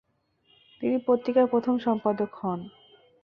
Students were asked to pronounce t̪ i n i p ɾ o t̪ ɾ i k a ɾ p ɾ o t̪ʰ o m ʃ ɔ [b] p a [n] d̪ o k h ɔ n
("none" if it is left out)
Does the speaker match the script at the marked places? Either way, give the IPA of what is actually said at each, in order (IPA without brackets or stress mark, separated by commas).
m, none